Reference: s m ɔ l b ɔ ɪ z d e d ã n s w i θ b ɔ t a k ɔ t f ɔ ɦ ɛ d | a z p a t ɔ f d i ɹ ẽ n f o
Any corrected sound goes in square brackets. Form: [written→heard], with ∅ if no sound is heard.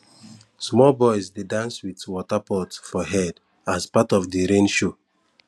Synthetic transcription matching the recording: s m ɔ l b ɔ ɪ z d e d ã n s w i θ [b→w] ɔ t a [k→p] ɔ t f ɔ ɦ ɛ d | a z p a t ɔ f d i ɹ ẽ n [f→ʃ] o